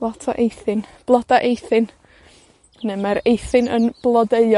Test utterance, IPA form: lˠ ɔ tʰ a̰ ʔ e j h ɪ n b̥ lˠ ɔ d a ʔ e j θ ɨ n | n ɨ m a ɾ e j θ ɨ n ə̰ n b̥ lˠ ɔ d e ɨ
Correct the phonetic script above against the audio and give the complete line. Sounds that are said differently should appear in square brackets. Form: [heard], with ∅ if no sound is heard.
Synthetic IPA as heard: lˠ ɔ tʰ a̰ ʔ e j [θ] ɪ n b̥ lˠ ɔ d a ʔ e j θ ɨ n | n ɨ m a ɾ e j θ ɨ n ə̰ n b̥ lˠ ɔ d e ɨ

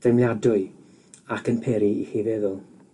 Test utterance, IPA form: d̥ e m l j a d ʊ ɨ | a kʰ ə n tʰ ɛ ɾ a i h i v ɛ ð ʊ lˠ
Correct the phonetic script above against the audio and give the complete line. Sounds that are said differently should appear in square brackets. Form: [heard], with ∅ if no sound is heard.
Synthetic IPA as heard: d̥ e m l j a d ʊ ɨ | a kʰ ə n [pʰ] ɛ ɾ [i] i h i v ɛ ð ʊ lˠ

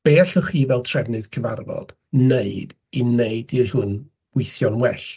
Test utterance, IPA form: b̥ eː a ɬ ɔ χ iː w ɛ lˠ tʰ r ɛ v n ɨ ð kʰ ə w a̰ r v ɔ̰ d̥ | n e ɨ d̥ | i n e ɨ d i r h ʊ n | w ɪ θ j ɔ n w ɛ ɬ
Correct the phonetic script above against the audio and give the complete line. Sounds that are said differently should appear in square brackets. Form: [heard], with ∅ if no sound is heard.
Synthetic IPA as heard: b̥ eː a ɬ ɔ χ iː [v] ɛ lˠ tʰ r ɛ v n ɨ ð kʰ ə [v] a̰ r v ɔ̰ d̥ | n e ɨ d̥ | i n e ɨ d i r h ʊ n | w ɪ θ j ɔ n w ɛ ɬ

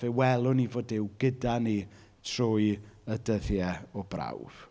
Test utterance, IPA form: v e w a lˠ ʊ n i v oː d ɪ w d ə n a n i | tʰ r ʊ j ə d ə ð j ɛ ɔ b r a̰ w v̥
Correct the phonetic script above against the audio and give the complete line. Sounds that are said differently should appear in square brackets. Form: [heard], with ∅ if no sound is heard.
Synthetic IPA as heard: v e w [ɛ] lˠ ʊ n i v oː d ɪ w [ɡ] ə [d] a n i | tʰ r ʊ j ə d ə ð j ɛ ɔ b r a̰ w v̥

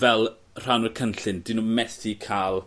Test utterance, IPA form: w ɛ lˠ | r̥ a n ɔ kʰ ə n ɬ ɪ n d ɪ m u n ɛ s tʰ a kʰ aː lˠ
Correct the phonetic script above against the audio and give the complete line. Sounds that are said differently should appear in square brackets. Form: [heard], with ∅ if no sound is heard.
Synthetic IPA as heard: [v] ɛ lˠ | r̥ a n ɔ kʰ ə n ɬ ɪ n d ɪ [n] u [m] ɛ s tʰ [i] kʰ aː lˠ

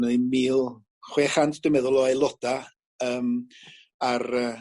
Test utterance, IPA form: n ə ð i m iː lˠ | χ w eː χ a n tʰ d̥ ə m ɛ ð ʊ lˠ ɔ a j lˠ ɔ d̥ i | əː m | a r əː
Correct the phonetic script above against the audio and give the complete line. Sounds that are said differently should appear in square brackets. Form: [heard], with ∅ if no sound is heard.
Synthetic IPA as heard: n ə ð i m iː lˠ | χ w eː χ a n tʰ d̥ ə m ɛ ð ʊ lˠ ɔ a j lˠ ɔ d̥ [a] | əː m | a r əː

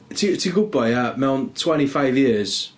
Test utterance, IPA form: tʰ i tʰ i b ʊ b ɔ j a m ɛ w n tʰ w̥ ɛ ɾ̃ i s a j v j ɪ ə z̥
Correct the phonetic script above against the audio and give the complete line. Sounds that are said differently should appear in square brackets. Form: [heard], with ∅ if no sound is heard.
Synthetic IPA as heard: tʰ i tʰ i [ɡ] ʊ b ɔ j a m ɛ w n tʰ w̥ ɛ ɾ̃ i [f] a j v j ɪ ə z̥

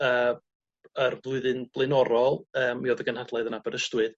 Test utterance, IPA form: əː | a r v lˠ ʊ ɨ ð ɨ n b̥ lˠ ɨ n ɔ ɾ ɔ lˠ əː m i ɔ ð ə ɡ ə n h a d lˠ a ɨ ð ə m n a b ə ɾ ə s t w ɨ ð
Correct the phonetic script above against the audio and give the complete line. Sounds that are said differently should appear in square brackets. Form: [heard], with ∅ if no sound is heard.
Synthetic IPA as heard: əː | [ə] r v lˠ ʊ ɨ ð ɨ n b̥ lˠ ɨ n ɔ ɾ ɔ lˠ əː m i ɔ ð ə ɡ ə n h a d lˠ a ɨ ð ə [∅] n a b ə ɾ ə s t w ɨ ð

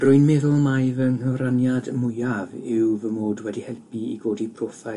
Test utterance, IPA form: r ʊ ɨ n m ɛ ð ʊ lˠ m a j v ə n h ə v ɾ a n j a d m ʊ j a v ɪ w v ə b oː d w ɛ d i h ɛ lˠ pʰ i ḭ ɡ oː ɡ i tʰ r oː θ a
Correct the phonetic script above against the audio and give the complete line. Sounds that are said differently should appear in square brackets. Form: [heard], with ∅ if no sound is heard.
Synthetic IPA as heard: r ʊ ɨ n m ɛ ð ʊ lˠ m a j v ə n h ə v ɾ a n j a d m ʊ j a v ɪ w v ə [m] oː d w ɛ d i h ɛ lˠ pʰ i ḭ ɡ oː [d] i [pʰ] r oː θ a

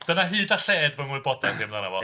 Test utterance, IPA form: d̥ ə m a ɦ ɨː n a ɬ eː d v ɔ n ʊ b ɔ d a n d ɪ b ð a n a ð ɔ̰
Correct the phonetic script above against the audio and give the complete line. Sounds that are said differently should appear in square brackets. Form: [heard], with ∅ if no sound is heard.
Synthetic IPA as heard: d̥ ə [n] a ɦ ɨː [d] a ɬ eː d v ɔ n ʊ b ɔ d a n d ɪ [m] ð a n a [v] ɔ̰

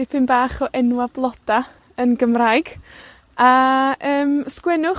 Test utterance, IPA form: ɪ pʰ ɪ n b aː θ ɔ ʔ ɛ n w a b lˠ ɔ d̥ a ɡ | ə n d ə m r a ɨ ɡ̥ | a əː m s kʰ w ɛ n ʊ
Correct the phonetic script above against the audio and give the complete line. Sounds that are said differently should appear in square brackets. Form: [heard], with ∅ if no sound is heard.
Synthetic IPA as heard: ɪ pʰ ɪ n b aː [χ] ɔ ʔ ɛ n w a b lˠ ɔ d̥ a [∅] | ə n [ɡ] ə m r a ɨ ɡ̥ | a əː m s [k] w ɛ n ʊ

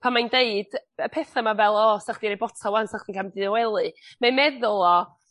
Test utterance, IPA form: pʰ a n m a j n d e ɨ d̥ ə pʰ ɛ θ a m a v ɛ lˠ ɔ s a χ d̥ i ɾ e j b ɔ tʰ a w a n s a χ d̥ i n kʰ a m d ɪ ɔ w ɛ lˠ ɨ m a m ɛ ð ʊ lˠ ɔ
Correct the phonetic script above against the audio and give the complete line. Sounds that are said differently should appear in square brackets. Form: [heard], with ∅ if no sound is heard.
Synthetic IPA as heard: pʰ a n m a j n d e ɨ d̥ ə pʰ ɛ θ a m a v ɛ lˠ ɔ s a χ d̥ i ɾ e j b ɔ tʰ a w a n s a χ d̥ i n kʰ a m d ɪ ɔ w ɛ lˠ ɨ m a m ɛ ð ʊ lˠ ɔ

